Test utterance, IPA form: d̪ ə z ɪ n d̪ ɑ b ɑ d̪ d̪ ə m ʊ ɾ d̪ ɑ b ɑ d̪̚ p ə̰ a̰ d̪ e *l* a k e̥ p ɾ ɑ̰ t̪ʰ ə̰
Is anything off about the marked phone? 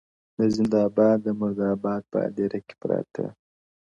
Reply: yes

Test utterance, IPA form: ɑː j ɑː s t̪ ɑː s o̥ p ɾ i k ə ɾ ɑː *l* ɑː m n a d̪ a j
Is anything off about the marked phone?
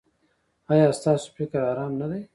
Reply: yes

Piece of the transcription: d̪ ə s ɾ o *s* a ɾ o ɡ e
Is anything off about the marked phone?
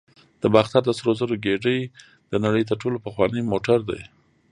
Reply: yes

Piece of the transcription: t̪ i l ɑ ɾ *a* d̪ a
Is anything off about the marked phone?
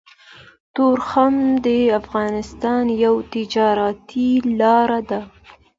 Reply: no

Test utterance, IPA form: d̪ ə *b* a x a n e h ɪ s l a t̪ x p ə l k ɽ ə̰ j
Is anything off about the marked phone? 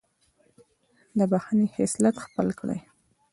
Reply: no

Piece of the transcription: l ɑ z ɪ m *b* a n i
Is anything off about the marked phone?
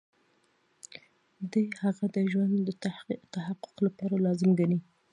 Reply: yes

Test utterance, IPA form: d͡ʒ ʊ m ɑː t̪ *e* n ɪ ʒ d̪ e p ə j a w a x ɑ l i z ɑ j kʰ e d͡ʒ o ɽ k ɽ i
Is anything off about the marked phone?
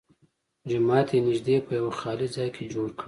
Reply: no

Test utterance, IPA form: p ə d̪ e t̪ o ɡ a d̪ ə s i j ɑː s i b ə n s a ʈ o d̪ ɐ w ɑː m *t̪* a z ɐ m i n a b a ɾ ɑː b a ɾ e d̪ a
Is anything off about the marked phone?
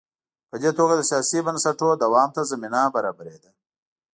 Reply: no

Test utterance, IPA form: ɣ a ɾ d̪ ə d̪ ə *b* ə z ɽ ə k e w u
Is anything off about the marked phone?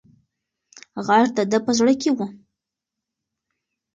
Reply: yes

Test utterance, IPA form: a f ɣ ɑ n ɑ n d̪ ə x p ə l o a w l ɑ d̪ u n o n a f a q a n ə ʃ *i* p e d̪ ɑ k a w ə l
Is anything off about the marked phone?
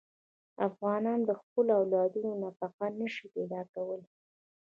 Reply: no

